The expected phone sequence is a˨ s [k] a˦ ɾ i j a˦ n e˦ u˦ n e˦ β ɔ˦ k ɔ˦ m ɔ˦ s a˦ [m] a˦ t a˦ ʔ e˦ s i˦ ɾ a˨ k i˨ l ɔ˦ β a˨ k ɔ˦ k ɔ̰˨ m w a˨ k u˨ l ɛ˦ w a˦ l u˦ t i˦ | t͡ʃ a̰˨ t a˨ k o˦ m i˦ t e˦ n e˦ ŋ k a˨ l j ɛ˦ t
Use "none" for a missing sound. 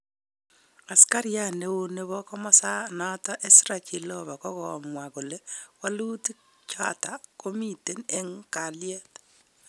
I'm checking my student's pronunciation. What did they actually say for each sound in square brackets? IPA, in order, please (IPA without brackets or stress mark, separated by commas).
k, n